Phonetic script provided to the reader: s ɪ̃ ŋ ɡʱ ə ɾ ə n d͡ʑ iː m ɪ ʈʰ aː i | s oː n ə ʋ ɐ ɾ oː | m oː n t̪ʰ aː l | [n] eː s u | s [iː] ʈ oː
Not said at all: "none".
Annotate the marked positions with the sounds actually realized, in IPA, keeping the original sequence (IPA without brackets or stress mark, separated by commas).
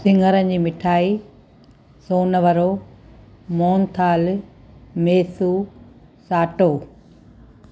m, aː